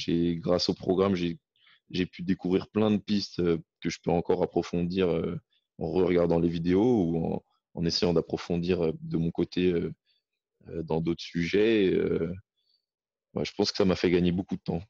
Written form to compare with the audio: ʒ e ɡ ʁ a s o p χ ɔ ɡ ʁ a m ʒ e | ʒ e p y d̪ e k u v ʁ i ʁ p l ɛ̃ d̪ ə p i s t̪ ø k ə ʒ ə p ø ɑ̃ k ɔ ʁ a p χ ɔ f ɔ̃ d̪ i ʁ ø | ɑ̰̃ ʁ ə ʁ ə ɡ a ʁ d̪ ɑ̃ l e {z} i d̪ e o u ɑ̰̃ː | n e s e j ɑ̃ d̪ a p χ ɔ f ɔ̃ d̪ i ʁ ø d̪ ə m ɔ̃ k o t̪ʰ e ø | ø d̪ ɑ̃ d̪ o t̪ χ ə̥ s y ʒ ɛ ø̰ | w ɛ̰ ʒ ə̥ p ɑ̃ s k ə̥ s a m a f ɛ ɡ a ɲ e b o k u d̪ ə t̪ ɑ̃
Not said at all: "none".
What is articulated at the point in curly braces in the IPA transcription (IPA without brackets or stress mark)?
v